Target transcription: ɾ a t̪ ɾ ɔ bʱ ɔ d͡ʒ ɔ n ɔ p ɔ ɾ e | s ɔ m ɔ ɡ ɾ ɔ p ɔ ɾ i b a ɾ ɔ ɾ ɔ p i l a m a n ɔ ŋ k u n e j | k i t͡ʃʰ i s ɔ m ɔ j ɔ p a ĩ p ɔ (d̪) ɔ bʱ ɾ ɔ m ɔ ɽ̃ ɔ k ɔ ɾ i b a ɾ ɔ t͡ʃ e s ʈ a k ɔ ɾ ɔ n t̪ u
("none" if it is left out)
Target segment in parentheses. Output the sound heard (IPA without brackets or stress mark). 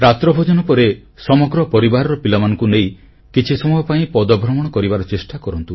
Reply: d̪